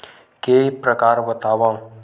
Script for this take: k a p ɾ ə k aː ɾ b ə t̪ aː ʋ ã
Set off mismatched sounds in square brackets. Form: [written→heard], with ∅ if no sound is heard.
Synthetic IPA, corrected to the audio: k [a→e] p ɾ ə k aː ɾ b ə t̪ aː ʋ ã